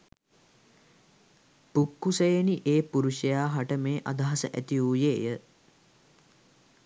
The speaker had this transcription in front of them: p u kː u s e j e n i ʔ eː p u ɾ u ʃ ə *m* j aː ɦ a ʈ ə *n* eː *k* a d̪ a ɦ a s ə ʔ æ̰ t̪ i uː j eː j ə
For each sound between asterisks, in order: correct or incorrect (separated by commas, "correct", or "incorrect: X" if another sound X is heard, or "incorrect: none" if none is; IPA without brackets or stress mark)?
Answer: incorrect: none, incorrect: m, incorrect: ʔ